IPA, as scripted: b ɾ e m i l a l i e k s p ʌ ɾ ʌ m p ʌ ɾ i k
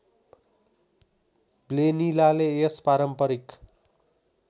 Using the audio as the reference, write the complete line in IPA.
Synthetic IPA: b l e n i l a l e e s p a ɾ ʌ m p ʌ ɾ i k